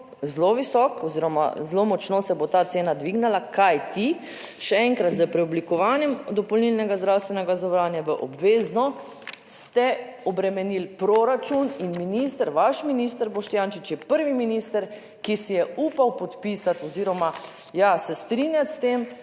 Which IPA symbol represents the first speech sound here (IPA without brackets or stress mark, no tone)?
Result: z